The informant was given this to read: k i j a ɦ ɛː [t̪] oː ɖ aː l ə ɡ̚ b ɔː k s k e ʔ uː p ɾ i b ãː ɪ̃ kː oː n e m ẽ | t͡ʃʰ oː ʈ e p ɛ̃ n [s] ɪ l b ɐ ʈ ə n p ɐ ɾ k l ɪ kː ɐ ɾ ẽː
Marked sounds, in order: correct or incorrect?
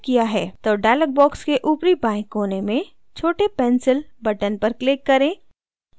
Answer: correct, correct

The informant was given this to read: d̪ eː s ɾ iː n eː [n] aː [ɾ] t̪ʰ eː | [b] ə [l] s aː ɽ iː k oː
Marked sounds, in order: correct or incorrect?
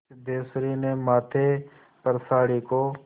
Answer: incorrect: m, incorrect: none, incorrect: p, incorrect: ɾ

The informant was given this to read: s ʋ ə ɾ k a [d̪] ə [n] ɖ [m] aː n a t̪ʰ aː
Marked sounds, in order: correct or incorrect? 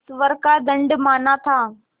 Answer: correct, incorrect: ɳ, correct

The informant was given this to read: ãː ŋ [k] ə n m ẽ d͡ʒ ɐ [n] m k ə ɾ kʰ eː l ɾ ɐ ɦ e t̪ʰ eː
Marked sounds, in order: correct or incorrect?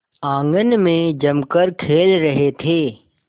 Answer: incorrect: ɡ, incorrect: none

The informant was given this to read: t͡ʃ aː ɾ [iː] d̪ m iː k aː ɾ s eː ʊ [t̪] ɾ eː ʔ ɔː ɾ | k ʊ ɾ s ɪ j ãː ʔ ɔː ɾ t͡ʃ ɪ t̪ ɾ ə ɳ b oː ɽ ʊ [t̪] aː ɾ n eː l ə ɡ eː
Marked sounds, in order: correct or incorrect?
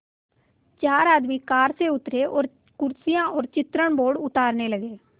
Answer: incorrect: aː, correct, correct

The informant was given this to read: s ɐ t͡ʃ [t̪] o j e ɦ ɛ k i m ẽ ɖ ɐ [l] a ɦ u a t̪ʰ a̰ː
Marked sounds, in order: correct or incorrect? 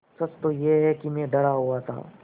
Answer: correct, incorrect: ɽ

